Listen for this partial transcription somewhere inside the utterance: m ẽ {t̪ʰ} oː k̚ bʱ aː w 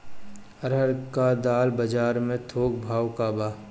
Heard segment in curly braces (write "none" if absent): t̪ʰ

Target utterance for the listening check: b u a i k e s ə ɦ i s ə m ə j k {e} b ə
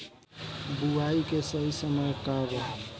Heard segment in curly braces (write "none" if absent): a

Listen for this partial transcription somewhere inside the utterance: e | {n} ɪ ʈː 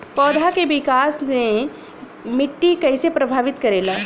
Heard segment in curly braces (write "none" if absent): m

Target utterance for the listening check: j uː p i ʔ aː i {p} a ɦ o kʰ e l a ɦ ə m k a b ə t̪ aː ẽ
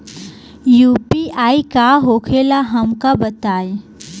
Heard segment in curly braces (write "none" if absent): k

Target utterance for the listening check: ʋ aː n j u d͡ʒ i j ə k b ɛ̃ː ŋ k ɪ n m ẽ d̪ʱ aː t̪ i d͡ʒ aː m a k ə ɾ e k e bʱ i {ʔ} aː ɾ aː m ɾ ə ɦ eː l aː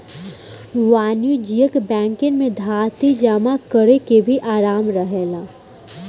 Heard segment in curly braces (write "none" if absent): ʔ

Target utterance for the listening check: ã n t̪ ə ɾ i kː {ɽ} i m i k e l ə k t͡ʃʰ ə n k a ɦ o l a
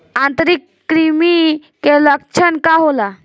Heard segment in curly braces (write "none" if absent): ɾ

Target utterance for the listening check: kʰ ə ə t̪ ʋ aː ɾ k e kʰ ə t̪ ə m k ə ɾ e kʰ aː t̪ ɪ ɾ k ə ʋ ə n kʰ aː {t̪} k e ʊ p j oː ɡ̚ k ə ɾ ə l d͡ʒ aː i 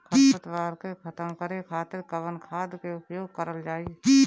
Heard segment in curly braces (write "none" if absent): d̪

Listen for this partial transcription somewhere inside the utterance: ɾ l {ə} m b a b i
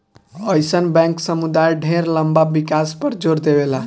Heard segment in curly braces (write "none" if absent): ə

